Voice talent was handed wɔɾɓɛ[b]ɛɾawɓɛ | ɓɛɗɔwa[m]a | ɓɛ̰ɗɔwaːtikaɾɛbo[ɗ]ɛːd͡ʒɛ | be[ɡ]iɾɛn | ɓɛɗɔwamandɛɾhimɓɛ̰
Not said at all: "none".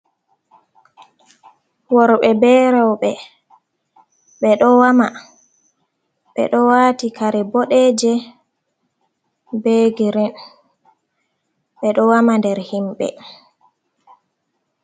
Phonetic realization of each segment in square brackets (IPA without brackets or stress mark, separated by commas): b, m, ɗ, ɡ